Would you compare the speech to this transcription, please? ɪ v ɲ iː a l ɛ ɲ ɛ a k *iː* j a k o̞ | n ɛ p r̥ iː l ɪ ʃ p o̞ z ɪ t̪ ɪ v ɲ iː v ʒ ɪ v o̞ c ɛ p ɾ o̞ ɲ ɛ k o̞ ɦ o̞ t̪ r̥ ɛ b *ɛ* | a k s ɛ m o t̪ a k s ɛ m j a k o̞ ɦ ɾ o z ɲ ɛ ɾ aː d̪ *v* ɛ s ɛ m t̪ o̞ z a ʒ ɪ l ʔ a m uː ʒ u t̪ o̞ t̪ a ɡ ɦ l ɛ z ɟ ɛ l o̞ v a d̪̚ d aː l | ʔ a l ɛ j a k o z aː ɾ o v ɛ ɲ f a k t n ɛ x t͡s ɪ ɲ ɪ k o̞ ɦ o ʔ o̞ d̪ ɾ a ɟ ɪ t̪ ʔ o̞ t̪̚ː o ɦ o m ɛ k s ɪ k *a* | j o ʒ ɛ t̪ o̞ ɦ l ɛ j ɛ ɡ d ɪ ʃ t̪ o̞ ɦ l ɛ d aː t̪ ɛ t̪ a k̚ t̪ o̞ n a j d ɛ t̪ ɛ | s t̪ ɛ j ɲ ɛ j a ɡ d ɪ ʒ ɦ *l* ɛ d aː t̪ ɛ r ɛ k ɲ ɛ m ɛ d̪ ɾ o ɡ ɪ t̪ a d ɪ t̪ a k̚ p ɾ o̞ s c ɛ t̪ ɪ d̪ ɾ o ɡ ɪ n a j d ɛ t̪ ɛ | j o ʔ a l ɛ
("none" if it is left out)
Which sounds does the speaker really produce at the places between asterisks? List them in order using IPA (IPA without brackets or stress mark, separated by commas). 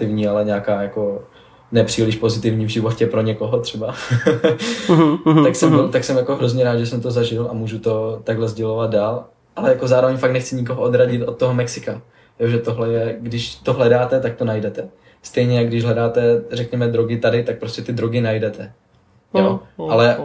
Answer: aː, a, ʒ, a, l